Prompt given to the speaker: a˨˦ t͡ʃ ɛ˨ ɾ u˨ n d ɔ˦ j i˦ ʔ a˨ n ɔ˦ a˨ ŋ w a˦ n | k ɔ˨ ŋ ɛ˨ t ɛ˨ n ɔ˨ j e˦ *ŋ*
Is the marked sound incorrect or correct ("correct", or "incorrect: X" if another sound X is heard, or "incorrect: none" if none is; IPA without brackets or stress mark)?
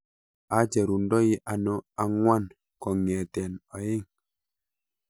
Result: correct